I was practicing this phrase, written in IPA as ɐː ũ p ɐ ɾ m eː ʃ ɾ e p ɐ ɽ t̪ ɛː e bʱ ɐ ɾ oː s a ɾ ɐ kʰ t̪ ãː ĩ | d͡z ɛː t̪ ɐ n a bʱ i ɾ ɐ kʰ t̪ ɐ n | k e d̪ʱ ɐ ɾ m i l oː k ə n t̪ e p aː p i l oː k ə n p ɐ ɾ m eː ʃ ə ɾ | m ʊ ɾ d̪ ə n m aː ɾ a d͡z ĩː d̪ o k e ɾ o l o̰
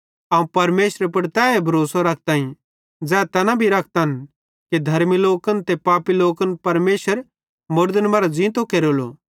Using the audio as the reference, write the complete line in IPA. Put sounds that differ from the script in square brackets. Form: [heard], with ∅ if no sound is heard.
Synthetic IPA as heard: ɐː ũ p ɐ ɾ m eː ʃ ɾ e p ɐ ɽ t̪ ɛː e bʱ ɐ ɾ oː s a ɾ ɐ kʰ t̪ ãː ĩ | d͡z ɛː t̪ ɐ n a bʱ i ɾ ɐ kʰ t̪ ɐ n | k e d̪ʱ ɐ ɾ m i l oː k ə n t̪ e p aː p i l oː k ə n p ɐ ɾ m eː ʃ ə ɾ | m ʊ ɾ d̪ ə n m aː ɾ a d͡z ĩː [t̪] o k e ɾ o l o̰

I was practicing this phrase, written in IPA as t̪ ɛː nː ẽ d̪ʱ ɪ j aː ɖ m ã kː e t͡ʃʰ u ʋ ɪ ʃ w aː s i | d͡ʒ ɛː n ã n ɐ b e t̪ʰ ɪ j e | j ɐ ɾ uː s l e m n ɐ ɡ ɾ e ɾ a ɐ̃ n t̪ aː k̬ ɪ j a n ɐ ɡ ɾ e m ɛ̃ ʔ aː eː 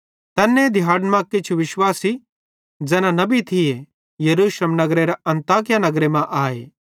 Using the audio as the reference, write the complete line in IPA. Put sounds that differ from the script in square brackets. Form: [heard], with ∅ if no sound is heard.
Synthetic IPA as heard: t̪ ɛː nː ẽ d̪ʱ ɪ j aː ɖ m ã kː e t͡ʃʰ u ʋ ɪ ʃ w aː s i | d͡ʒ ɛː n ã n ɐ b [i] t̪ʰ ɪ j e | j ɐ ɾ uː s l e m n ɐ ɡ ɾ e ɾ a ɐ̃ n t̪ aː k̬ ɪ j a n ɐ ɡ ɾ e m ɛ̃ ʔ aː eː

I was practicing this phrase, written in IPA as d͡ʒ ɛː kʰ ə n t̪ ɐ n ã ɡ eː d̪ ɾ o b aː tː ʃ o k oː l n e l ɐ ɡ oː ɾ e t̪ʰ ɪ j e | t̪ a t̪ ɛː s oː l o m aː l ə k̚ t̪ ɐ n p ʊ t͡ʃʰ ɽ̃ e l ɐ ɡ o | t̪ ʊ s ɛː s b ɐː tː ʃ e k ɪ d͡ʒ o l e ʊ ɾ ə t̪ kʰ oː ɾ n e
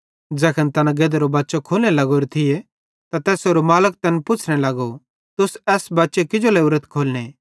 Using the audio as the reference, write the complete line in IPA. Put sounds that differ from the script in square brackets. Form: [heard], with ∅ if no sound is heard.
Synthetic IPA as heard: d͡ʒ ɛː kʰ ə n t̪ ɐ n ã ɡ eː d̪ ɾ o b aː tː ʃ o [kʰ] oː l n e l ɐ ɡ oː ɾ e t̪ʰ ɪ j e | t̪ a t̪ ɛː s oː [ɾ] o m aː l ə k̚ t̪ ɐ n p ʊ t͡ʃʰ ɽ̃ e l ɐ ɡ o | t̪ ʊ s ɛː s b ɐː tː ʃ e k ɪ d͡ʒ o l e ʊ ɾ ə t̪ kʰ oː [l] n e

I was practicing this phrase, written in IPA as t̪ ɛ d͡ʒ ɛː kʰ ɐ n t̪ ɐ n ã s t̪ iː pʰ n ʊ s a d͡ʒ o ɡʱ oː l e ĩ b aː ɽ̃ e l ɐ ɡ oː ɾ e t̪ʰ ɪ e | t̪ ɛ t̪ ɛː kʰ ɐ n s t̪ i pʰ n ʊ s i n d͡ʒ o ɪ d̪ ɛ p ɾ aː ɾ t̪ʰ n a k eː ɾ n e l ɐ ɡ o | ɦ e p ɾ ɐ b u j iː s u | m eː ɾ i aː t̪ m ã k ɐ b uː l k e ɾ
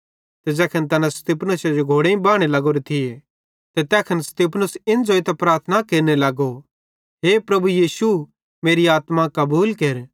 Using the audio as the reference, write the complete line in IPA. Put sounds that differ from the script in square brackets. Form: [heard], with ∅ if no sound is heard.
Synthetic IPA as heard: t̪ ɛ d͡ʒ ɛː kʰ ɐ n t̪ ɐ n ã s t̪ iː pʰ n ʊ s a d͡ʒ o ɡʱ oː [ɽ] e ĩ b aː ɽ̃ e l ɐ ɡ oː ɾ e t̪ʰ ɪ e | t̪ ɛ t̪ ɛː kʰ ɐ n s t̪ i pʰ n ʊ s [ɪ] n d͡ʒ o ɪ [t̪] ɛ p ɾ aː ɾ t̪ʰ n a k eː ɾ n e l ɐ ɡ o | ɦ e p ɾ ɐ b u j iː s u | m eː ɾ i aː t̪ m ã k ɐ b uː l k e ɾ

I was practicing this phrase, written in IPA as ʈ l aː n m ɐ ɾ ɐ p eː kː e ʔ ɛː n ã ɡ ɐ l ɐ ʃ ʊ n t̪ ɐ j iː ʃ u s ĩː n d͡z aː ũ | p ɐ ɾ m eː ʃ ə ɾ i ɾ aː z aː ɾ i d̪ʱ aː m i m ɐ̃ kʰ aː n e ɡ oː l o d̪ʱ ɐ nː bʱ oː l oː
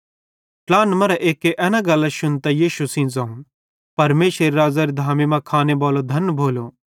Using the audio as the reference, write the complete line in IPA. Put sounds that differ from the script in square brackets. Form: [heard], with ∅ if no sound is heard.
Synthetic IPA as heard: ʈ l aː n m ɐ ɾ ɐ [ʔ] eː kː e ʔ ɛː n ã ɡ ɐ l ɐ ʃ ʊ n t̪ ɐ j iː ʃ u s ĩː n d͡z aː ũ | p ɐ ɾ m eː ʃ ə ɾ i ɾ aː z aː ɾ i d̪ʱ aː m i m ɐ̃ kʰ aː n e [b] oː l o d̪ʱ ɐ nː bʱ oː l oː

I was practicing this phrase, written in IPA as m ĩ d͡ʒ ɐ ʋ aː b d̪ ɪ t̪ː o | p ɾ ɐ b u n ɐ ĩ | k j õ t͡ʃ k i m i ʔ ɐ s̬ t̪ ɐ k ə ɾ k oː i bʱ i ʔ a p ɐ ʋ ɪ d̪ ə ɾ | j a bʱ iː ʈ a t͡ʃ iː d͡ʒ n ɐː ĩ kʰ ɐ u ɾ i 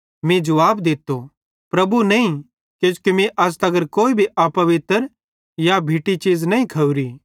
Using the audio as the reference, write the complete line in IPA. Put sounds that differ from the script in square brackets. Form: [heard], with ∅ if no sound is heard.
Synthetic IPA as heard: m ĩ d͡ʒ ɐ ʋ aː b d̪ ɪ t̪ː o | p ɾ ɐ b u n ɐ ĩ | k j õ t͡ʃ k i m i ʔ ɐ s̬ t̪ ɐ [ɡ] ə ɾ k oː i bʱ i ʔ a p ɐ ʋ ɪ [t̪] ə ɾ | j a bʱ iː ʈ [i] t͡ʃ iː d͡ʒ n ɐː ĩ kʰ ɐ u ɾ i

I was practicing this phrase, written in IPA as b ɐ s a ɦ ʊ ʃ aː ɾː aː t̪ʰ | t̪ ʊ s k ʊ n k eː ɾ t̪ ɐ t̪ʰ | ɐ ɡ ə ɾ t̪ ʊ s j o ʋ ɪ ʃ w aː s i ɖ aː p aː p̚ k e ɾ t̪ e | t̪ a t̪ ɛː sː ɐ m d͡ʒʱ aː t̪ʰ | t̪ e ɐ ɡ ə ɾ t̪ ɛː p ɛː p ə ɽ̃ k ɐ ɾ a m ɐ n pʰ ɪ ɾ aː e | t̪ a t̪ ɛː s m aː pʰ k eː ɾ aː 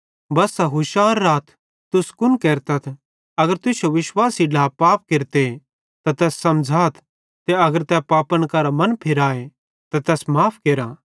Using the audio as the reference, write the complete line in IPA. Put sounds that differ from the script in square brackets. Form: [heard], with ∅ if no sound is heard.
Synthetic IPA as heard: b ɐ s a ɦ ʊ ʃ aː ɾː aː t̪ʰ | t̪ ʊ s k ʊ n k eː ɾ t̪ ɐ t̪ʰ | ɐ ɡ ə ɾ t̪ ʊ s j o ʋ ɪ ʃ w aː s i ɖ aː p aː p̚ k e ɾ t̪ e | t̪ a t̪ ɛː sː ɐ m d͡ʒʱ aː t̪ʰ | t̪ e ɐ ɡ ə ɾ t̪ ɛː p [aː] p ə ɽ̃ k ɐ ɾ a m ɐ n pʰ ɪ ɾ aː e | t̪ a t̪ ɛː s m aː pʰ k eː ɾ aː

